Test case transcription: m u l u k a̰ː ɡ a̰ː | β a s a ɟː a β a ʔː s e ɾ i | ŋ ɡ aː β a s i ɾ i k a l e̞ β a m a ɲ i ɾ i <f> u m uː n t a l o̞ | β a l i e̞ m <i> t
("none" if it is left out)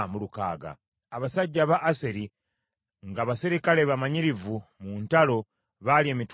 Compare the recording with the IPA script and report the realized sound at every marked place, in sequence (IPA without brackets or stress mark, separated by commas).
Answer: v, i